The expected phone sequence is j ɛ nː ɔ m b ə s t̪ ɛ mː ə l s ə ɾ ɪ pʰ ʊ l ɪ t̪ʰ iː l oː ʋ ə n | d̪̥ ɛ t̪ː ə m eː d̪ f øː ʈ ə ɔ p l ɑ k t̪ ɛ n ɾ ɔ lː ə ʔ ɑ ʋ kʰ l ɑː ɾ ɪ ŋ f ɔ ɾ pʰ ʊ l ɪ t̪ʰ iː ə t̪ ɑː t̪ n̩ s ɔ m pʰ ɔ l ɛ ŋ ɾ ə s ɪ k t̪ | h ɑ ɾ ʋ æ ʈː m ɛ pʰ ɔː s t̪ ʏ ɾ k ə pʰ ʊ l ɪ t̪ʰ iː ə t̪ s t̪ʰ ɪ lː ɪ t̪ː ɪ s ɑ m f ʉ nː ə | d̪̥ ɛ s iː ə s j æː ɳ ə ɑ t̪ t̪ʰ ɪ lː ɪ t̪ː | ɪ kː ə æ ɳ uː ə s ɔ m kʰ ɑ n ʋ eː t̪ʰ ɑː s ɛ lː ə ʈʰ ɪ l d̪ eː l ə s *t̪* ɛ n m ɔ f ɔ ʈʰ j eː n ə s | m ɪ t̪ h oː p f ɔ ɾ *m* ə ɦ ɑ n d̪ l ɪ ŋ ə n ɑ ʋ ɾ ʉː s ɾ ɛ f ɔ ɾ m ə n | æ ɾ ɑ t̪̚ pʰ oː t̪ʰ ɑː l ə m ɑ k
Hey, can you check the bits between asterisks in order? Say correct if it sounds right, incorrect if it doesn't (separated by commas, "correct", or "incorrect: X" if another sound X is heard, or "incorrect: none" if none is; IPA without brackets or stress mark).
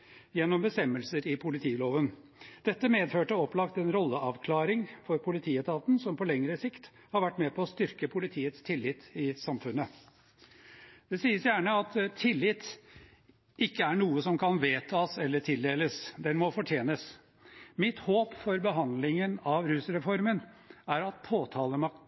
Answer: incorrect: d̪, incorrect: b